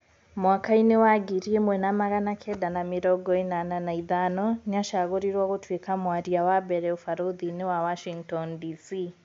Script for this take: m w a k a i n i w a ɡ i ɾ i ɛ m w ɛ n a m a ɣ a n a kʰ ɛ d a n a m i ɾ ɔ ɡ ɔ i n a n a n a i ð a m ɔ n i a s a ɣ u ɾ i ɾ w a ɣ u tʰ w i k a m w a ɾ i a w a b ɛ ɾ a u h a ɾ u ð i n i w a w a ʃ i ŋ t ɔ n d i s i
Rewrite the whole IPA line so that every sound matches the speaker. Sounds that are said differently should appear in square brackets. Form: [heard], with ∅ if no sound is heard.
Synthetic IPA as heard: m w a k a i n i w a ɡ i ɾ i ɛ m w ɛ n a m a ɣ a n a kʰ ɛ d a n a m i ɾ ɔ ɡ ɔ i n a n a n a i ð a [n] ɔ n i a [ʃ] a ɣ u ɾ i ɾ w a ɣ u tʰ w i k a m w a ɾ i a w a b ɛ ɾ [ɛ] u [f] a ɾ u ð i n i w a w a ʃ i ŋ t ɔ n d i s i